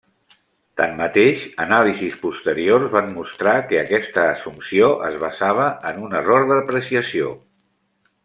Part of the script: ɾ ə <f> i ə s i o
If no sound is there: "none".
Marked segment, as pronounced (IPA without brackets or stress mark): s